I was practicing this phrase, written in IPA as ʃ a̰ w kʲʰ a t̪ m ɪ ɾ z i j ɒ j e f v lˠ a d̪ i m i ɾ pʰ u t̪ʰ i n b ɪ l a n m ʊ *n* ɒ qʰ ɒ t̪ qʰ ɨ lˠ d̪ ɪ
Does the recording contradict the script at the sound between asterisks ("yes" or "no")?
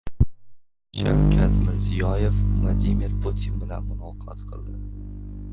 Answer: no